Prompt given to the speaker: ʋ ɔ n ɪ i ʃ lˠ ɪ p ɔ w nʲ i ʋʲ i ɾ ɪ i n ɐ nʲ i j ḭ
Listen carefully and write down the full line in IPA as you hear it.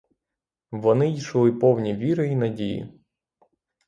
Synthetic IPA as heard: ʋ ɔ n ɪ i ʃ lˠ ɪ p ɔ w nʲ i ʋʲ i ɾ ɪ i n ɐ dʲ i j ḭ